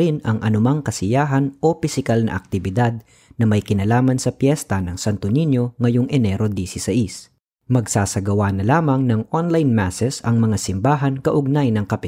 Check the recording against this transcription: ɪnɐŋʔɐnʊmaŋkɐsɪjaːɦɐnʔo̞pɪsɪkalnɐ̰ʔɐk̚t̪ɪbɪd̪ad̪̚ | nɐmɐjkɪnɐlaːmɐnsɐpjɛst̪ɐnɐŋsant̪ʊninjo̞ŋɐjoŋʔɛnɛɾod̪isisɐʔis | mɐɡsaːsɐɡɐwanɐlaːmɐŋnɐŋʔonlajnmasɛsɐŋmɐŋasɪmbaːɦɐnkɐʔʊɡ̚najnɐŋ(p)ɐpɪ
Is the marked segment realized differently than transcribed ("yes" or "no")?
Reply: yes